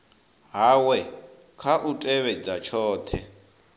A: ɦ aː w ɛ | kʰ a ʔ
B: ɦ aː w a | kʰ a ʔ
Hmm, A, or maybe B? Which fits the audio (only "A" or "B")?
A